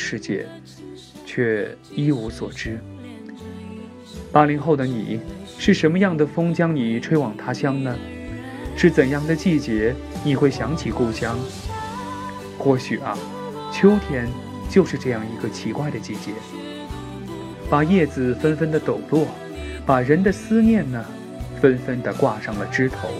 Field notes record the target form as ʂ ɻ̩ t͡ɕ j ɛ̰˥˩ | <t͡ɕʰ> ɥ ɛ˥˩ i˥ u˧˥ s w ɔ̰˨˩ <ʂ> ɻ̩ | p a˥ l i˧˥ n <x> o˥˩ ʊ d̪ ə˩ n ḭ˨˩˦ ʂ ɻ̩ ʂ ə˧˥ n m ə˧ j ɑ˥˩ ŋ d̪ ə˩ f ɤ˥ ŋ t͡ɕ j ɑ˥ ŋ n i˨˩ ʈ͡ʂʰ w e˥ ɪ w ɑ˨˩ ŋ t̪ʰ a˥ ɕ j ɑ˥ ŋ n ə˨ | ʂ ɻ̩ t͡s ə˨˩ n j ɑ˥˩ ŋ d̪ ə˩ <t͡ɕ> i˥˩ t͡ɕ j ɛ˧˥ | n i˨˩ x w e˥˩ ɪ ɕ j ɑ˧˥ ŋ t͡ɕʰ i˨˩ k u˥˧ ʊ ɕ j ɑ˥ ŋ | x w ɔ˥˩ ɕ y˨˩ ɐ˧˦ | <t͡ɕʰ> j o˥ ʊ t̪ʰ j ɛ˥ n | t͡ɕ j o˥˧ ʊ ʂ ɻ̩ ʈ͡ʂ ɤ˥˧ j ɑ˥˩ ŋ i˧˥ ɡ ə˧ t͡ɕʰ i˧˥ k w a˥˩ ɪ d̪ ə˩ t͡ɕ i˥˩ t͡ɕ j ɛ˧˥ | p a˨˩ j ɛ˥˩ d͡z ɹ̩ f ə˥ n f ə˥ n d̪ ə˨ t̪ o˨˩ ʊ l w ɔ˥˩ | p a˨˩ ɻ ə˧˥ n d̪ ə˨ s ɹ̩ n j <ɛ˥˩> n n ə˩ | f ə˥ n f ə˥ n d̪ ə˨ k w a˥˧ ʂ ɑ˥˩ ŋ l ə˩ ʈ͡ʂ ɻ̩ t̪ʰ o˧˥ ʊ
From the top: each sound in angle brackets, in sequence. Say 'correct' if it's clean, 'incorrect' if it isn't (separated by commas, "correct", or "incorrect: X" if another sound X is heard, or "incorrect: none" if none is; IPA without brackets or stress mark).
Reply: correct, incorrect: ʈ͡ʂ, correct, correct, correct, correct